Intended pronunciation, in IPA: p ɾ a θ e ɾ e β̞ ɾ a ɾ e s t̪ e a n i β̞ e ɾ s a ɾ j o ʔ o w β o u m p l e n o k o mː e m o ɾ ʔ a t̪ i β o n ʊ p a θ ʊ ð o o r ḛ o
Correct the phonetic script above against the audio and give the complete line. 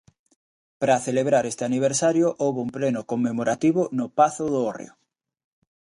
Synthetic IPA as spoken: p ɾ a θ e l e β̞ ɾ a ɾ e s t̪ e a n i β̞ e ɾ s a ɾ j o ʔ o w β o u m p l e n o k o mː e m o ɾ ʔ a t̪ i β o n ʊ p a θ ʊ ð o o r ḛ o